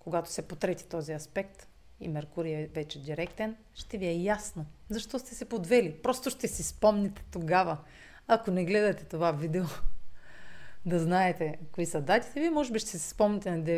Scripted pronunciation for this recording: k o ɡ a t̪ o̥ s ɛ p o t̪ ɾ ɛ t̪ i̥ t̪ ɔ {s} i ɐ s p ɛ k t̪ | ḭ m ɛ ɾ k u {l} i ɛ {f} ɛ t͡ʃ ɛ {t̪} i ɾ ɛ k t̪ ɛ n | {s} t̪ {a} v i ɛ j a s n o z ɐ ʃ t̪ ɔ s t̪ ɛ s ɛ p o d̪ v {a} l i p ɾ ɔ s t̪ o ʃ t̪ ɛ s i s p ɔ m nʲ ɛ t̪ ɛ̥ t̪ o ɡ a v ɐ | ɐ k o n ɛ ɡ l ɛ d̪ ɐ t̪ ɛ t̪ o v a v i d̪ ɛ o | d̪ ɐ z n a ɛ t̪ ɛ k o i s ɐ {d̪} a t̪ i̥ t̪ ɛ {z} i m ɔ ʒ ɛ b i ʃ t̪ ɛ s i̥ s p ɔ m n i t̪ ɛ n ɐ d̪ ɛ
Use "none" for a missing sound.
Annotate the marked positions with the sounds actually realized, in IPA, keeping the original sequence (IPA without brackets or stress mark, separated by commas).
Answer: z, ɾ, v, d̪, ʃ, ɛ, ɛ, d̪, v